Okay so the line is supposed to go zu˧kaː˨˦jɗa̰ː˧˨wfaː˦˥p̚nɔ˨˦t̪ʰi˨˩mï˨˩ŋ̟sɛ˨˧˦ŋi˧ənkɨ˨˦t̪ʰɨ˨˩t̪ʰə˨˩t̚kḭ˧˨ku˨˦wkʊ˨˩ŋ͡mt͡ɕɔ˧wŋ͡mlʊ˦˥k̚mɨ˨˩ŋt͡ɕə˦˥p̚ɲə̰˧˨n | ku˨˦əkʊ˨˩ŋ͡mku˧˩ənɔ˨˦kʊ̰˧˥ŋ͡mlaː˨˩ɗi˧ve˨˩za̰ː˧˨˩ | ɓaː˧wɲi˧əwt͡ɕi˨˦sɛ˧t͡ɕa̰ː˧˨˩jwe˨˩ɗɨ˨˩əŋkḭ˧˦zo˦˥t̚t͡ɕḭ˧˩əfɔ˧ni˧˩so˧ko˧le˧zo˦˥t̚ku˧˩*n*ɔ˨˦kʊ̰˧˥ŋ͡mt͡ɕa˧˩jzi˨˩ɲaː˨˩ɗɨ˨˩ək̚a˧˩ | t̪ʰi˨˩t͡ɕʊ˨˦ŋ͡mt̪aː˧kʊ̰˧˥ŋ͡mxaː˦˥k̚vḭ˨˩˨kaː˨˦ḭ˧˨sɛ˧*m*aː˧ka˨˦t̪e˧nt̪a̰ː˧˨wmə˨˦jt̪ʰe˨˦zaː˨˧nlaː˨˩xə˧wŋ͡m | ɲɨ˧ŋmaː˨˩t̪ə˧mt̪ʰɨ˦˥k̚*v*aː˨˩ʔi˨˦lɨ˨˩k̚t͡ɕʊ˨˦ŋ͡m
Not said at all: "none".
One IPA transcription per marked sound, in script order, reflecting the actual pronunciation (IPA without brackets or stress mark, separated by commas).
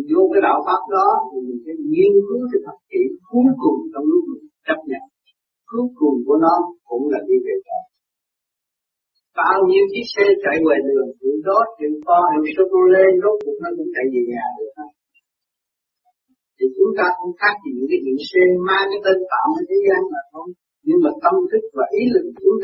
n, m, v